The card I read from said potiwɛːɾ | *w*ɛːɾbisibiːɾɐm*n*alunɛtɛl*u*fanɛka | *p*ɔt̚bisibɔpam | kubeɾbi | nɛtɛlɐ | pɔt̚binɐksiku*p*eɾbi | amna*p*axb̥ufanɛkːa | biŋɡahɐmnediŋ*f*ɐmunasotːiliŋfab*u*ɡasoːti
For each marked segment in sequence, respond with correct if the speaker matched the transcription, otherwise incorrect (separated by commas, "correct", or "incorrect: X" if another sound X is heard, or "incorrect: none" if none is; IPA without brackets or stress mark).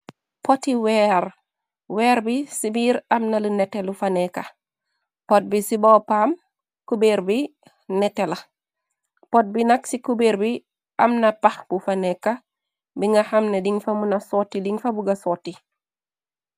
correct, correct, correct, correct, incorrect: b, correct, correct, correct